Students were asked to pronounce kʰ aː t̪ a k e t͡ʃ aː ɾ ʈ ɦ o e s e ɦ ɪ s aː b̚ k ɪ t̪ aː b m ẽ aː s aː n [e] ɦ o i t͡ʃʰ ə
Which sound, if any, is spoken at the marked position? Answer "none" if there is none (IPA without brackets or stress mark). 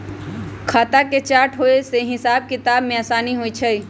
i